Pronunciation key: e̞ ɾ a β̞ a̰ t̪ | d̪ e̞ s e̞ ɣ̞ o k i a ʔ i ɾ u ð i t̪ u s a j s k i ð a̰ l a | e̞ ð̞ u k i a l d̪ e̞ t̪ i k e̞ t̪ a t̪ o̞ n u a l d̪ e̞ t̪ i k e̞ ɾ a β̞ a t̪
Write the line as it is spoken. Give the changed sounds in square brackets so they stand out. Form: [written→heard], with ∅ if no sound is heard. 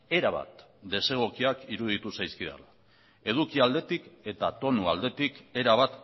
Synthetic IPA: e̞ ɾ a β̞ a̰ t̪ | d̪ e̞ s e̞ ɣ̞ o k i a [ʔ→k] i ɾ u ð i t̪ u s a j s k i ð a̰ l a | e̞ ð̞ u k i a l d̪ e̞ t̪ i k e̞ t̪ a t̪ o̞ n u a l d̪ e̞ t̪ i k e̞ ɾ a β̞ a t̪